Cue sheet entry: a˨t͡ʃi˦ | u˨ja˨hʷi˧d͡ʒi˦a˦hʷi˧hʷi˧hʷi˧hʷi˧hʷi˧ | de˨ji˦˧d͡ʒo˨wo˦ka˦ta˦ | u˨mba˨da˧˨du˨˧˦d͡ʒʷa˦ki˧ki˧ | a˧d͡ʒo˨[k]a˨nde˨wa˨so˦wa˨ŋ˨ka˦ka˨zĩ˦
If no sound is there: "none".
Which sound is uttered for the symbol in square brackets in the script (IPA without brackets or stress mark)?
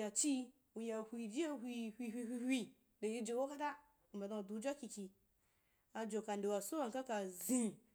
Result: k